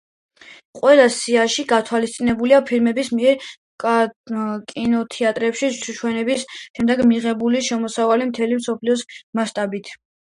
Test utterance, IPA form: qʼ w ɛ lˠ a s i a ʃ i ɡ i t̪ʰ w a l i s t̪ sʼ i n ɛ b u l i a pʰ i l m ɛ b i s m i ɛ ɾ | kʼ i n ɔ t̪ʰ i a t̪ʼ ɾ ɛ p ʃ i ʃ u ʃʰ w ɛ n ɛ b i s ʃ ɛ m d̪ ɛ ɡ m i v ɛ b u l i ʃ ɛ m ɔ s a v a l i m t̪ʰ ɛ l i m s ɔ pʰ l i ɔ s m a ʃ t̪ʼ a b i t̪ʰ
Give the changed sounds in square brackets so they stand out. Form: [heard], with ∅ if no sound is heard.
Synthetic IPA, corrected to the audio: qʼ w ɛ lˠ a s i a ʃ i ɡ [a] t̪ʰ w a l i s t̪ sʼ i n ɛ b u l i a pʰ i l m ɛ b i s m i ɛ ɾ | kʼ i n ɔ t̪ʰ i a t̪ʼ ɾ ɛ p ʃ i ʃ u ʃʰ w ɛ n ɛ b i s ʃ ɛ m d̪ ɛ ɡ m i [ʁ] ɛ b u l i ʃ ɛ m ɔ s a v a l i m t̪ʰ ɛ l i m s ɔ pʰ l i ɔ s m a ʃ t̪ʼ a b i t̪ʰ